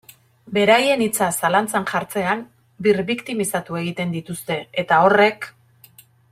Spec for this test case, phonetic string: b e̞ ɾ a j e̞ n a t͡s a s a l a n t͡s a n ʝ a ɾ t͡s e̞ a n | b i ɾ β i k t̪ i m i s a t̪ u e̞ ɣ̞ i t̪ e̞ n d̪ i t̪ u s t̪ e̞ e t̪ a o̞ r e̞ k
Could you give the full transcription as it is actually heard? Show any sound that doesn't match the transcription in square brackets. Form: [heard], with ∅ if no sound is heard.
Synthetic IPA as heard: b e̞ ɾ a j e̞ n [i] t͡s a s a l a n t͡s a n ʝ a ɾ t͡s e̞ a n | b i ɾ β i k t̪ i m i s a t̪ u e̞ ɣ̞ i t̪ e̞ n d̪ i t̪ u s t̪ e̞ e t̪ a o̞ r e̞ k